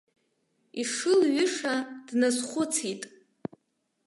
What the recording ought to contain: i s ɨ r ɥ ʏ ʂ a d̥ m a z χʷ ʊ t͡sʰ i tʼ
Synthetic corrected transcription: i ʂ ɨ l ɥ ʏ ʂ a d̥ n a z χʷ ʊ t͡sʰ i tʼ